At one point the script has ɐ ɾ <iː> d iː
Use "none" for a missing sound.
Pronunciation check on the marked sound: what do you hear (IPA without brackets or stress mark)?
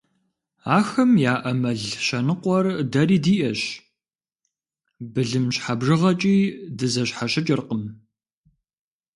iː